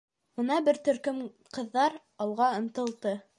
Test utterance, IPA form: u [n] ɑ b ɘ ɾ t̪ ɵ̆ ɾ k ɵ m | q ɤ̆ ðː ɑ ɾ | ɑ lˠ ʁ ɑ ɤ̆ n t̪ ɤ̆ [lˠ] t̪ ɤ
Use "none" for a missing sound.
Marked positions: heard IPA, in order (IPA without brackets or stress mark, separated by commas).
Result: n, lˠ